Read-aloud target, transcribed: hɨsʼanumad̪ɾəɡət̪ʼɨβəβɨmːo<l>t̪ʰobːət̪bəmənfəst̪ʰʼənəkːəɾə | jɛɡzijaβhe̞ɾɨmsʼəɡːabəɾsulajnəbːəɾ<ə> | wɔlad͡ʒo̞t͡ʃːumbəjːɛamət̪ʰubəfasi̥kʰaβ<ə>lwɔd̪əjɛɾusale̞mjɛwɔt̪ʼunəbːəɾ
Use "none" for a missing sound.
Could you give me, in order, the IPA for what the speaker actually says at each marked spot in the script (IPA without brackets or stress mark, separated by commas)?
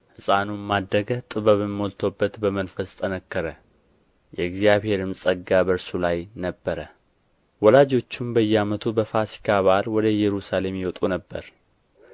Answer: l, ə, a